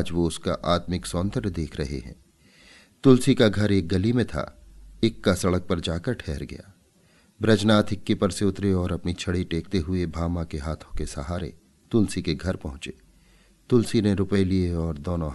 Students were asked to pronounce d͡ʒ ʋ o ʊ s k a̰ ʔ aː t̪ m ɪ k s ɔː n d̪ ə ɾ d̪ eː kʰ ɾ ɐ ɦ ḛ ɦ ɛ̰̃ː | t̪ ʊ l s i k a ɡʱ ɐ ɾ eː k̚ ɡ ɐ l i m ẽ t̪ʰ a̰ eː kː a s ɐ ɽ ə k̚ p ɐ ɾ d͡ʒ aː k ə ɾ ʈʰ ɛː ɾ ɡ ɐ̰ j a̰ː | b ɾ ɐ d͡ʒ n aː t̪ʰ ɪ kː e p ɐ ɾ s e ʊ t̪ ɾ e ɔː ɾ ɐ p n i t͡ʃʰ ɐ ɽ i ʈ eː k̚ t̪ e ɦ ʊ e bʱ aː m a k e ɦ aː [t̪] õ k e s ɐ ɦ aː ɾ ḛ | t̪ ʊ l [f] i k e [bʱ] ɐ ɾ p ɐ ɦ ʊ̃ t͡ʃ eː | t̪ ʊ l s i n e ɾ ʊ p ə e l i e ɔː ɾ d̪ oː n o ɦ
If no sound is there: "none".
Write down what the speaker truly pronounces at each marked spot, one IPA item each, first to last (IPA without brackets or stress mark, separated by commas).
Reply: t̪ʰ, s, ɡʱ